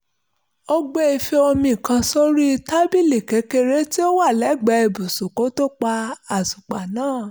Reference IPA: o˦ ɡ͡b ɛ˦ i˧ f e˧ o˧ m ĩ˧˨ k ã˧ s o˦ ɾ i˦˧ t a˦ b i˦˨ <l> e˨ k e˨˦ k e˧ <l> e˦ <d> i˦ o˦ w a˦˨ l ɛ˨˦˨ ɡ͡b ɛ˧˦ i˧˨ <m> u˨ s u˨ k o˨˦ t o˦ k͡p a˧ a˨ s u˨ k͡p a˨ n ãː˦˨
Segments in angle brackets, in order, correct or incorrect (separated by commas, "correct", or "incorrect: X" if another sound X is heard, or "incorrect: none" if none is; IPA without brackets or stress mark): correct, incorrect: ɾ, incorrect: t, incorrect: b